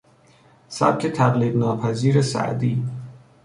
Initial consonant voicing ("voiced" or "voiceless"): voiceless